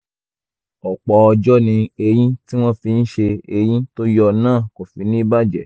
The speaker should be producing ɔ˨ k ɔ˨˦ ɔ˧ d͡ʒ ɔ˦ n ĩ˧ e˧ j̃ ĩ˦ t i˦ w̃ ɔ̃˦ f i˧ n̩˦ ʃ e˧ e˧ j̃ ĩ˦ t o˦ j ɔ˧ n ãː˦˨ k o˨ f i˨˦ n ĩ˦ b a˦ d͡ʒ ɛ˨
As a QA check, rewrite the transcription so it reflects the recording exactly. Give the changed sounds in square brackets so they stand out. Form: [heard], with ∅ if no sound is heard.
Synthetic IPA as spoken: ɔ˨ [k͡p] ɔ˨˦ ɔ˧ d͡ʒ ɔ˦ n ĩ˧ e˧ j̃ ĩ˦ t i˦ w̃ ɔ̃˦ f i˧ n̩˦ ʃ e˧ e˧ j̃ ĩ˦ t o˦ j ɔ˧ n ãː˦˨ k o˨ f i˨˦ n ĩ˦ b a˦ d͡ʒ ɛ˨